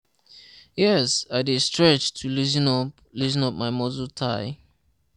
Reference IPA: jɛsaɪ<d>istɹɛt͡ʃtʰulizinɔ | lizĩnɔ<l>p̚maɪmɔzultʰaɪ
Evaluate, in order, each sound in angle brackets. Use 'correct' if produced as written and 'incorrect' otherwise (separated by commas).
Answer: correct, incorrect